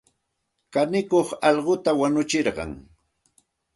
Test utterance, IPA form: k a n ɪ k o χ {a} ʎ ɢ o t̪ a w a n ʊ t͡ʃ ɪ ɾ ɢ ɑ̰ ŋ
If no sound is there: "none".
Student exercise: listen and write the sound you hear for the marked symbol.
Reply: ɑ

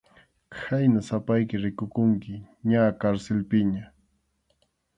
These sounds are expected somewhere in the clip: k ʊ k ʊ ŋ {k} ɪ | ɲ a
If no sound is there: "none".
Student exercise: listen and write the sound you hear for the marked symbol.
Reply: k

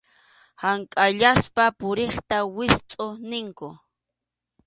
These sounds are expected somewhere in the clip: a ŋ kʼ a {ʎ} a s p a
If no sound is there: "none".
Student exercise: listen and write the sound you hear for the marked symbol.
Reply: ʎ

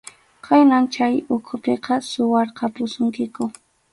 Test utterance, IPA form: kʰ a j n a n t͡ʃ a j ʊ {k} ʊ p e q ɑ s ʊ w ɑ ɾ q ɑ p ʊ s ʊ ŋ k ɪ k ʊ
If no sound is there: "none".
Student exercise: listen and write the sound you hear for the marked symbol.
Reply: kʰ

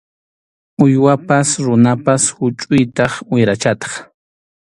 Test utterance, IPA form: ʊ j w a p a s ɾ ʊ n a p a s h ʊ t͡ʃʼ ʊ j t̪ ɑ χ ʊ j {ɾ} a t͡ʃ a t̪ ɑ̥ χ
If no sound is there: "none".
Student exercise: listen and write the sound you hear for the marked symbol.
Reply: ɾ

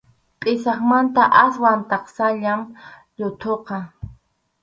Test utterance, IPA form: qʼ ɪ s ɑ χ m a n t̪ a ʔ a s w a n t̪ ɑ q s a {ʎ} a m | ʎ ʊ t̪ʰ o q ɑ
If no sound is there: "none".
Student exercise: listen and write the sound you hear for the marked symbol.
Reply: ʎ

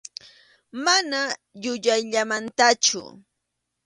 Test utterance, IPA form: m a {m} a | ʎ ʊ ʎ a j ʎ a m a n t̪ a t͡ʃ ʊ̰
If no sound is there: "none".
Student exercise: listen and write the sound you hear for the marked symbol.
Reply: n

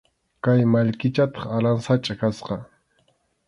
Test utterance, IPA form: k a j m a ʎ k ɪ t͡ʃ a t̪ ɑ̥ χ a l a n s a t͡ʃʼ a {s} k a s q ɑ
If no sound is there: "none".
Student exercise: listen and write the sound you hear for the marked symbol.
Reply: none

